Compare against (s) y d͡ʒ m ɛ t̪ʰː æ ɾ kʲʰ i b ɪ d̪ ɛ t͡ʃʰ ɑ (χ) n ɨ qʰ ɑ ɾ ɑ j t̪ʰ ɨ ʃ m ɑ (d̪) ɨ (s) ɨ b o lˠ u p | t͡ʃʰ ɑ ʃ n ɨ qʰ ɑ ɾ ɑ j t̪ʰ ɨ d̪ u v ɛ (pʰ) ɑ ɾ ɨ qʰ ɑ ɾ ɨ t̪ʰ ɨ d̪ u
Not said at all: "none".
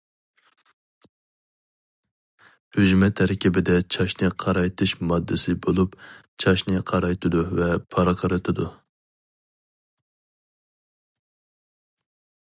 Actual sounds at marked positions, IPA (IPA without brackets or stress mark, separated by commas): h, ʃ, d̪ː, s, pʰ